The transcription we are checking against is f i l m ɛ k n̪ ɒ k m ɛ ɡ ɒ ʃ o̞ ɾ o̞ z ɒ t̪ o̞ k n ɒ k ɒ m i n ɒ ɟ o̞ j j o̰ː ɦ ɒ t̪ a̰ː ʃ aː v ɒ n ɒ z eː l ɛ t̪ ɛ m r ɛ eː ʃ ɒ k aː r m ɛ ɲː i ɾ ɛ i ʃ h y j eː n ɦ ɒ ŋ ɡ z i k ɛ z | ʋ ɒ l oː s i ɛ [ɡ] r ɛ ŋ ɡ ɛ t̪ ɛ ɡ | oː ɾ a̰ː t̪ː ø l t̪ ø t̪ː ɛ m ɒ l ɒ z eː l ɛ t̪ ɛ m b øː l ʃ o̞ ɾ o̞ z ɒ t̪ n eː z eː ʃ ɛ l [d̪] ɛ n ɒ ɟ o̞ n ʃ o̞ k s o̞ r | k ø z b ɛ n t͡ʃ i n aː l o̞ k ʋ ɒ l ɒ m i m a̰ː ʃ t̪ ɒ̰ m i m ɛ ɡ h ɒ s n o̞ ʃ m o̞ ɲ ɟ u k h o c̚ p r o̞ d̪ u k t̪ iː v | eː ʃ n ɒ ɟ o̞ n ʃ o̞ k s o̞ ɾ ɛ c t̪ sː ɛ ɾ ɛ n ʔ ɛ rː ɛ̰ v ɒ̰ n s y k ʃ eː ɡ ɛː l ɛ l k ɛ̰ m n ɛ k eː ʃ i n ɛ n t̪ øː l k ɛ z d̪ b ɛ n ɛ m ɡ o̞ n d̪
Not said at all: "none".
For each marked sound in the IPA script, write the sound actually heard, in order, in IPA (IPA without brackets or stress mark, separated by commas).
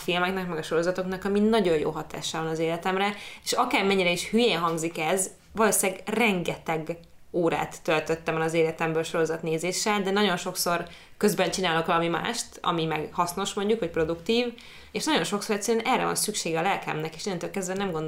ɡ, d̪